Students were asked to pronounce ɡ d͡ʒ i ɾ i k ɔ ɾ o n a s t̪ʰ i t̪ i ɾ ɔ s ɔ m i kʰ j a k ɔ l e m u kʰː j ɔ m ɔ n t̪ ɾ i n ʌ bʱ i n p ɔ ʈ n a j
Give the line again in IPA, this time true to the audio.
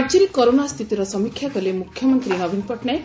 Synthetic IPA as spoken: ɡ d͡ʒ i ɾ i k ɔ ɾ o n a s t̪ʰ i t̪ i ɾ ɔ s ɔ m i kʰ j a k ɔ l e m u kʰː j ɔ m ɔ n t̪ ɾ i n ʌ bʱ i n p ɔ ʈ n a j